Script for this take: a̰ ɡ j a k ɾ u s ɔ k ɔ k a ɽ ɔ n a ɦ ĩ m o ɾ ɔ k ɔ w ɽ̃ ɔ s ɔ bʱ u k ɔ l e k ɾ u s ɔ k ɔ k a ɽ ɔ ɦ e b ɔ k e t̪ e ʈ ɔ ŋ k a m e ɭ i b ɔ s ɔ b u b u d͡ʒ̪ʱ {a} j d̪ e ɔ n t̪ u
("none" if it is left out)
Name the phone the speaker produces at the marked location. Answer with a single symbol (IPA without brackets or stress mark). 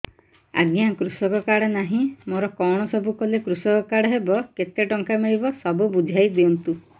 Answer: a